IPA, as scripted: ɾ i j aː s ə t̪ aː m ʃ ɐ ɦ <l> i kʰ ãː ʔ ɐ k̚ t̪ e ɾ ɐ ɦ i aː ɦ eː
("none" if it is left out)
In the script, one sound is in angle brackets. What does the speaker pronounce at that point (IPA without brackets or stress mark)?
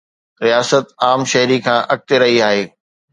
ɾ